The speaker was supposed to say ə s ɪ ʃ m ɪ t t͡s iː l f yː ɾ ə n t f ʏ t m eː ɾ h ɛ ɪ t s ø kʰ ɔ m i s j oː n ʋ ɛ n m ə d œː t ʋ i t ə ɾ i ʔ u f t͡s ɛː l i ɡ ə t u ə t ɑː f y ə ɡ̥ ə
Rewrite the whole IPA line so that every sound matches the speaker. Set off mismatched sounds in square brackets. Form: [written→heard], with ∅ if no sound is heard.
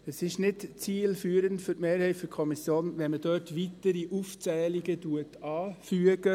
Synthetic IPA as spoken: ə s ɪ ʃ [m→n] ɪ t t͡s iː l f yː ɾ ə n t f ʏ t m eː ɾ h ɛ ɪ t [s→f] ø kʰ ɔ m i s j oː n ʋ ɛ n m ə d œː t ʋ i t ə ɾ i ʔ u f t͡s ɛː l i ɡ ə t u ə t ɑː f y ə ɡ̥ ə